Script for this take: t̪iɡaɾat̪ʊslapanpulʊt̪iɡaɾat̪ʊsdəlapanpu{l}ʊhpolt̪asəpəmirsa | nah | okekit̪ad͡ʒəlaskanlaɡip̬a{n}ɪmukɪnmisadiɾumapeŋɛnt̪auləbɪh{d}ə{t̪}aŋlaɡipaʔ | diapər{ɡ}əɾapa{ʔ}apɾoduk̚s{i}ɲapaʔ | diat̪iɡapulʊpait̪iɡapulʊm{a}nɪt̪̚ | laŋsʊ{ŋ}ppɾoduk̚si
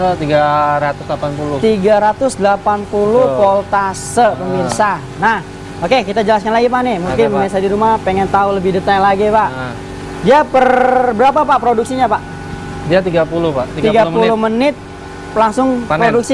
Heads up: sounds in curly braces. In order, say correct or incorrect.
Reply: correct, correct, correct, correct, incorrect: b, incorrect: p, correct, incorrect: ə, correct

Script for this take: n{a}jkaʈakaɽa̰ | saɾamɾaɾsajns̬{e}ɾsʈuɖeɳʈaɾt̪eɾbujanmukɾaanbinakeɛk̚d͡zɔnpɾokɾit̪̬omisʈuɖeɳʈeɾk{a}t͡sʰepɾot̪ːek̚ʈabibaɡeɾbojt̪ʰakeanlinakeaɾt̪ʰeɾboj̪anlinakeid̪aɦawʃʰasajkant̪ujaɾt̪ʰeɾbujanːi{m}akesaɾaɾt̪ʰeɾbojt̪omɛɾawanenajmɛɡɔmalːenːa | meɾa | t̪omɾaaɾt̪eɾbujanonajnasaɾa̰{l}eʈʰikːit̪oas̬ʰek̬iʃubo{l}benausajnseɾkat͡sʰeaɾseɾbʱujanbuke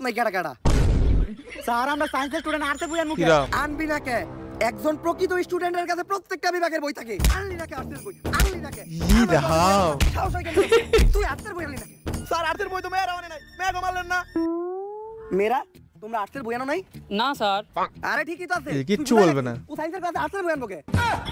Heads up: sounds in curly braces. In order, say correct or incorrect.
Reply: correct, correct, correct, incorrect: n, incorrect: ɾ, correct

